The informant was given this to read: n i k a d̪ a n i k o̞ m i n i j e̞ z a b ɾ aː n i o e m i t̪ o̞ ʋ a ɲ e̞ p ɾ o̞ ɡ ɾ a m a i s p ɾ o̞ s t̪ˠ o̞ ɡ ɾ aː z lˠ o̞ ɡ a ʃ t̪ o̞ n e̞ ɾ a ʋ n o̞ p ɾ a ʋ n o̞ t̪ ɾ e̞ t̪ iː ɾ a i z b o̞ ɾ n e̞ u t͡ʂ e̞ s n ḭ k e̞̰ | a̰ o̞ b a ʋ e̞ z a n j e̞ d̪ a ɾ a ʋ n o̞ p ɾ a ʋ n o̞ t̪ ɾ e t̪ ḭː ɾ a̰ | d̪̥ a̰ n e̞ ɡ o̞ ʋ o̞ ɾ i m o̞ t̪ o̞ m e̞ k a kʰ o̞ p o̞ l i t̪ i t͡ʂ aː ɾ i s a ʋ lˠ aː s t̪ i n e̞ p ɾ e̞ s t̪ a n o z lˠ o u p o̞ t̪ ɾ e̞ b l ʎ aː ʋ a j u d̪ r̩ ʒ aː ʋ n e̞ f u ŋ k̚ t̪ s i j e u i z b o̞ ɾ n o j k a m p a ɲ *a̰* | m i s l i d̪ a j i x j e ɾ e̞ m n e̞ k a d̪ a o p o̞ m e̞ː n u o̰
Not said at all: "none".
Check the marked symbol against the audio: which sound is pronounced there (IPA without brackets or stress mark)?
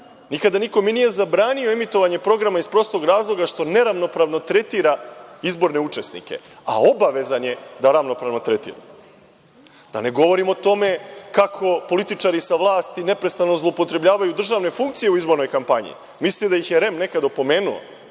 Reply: ḭ